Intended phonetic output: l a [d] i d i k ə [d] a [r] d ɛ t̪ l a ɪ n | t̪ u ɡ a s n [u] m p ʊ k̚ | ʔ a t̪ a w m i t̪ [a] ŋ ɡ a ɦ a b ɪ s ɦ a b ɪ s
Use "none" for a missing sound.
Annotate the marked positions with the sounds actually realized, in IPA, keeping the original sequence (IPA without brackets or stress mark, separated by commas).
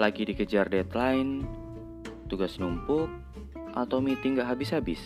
ɡ, d͡ʒ, r, u, i